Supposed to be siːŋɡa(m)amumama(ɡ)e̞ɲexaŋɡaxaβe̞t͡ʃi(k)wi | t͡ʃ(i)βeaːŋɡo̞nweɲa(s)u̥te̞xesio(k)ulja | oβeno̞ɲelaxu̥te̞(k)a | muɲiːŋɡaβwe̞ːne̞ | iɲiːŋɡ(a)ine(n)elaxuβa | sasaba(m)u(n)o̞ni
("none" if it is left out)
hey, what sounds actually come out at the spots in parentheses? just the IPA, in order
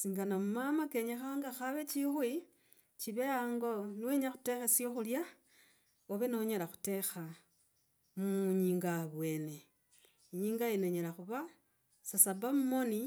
n, k, x, i, x, x, x, a, ɲ, m, m

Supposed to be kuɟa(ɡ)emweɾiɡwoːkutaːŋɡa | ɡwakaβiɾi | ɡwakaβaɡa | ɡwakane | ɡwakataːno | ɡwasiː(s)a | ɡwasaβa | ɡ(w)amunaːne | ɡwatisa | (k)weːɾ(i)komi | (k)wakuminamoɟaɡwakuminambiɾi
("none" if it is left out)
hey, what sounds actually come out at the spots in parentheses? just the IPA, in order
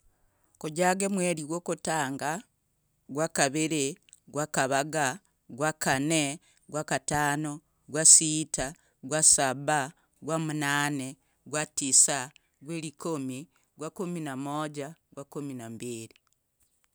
ɡ, t, w, ɡ, i, ɡ

